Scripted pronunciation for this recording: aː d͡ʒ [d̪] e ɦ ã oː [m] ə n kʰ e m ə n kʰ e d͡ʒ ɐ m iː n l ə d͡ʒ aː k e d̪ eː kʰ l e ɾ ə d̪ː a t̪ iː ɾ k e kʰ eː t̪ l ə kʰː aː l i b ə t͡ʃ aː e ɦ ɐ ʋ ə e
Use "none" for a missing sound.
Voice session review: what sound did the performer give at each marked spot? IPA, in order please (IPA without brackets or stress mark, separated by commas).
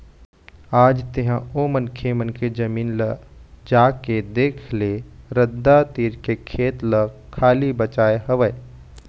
t̪, m